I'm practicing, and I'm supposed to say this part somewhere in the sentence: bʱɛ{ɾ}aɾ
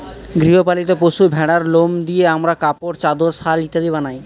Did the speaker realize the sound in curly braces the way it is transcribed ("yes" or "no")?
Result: no